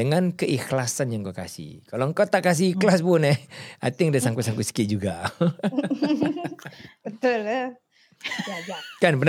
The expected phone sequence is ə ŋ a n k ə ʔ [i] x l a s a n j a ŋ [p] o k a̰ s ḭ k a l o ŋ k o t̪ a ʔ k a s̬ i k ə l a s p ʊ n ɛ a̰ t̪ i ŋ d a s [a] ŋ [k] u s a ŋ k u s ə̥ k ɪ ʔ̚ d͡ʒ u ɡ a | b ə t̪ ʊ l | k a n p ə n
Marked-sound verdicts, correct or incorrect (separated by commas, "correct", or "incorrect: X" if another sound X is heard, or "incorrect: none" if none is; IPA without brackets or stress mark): correct, incorrect: k, correct, correct